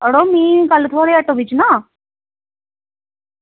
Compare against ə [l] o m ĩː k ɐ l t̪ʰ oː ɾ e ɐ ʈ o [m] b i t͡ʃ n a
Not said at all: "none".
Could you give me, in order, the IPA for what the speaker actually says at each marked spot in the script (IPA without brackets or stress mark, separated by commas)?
ɽ, none